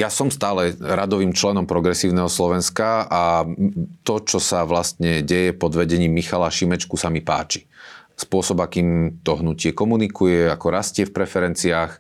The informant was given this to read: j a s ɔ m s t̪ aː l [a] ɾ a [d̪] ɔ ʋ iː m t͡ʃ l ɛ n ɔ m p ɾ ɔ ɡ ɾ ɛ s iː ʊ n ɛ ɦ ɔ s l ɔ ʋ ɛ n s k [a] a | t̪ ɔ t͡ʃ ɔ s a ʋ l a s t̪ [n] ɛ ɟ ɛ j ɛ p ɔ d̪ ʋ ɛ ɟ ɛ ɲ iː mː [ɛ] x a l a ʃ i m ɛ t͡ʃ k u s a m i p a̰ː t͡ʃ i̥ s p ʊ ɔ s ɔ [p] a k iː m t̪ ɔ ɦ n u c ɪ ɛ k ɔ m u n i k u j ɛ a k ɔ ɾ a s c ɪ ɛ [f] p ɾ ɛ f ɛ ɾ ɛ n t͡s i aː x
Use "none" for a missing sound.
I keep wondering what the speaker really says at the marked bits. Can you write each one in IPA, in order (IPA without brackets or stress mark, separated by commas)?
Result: ɛ, d̪, a, ɲ, i, b, f